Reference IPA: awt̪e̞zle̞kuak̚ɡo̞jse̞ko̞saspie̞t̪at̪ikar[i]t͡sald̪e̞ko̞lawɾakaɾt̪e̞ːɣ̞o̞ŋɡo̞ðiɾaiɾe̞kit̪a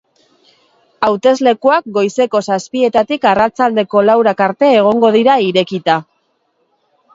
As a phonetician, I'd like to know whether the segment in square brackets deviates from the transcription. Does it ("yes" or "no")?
yes